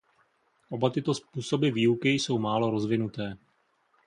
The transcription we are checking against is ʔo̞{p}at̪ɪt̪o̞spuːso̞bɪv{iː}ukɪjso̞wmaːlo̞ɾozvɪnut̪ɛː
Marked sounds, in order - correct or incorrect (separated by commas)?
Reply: incorrect, correct